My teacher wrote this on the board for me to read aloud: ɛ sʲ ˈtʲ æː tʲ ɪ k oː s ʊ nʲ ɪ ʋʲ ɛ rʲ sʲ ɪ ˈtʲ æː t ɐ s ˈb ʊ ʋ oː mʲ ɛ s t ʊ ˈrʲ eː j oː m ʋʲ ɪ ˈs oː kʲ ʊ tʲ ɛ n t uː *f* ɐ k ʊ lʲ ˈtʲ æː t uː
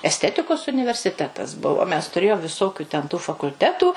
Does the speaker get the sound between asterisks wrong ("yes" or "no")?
no